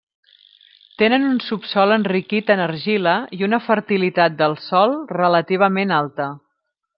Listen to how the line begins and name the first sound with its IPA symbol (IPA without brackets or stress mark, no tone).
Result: t̪